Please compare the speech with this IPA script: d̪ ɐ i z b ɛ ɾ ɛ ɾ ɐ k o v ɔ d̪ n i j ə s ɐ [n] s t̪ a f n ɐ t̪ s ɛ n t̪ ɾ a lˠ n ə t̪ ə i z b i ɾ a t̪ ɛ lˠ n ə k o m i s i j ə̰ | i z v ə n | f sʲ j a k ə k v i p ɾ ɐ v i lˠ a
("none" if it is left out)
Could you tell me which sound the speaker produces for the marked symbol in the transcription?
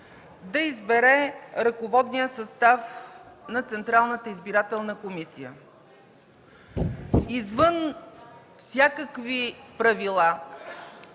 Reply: none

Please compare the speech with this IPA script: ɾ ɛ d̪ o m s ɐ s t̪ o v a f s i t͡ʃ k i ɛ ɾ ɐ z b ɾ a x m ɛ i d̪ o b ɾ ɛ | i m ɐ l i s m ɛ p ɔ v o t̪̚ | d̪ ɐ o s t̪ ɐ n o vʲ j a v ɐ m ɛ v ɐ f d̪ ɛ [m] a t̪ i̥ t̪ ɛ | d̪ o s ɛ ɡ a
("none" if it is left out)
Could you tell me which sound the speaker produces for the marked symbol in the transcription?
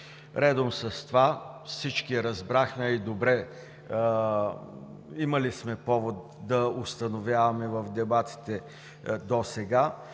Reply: b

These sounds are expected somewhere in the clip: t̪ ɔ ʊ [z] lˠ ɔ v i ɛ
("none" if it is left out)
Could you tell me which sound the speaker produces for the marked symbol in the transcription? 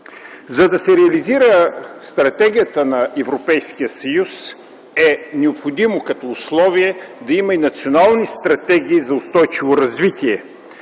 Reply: s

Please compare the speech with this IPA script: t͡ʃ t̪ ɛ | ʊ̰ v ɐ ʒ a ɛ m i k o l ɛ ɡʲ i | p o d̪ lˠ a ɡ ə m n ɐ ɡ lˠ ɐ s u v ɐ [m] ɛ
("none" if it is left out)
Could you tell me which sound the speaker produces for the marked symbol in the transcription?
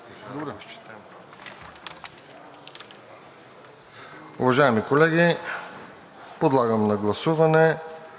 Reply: n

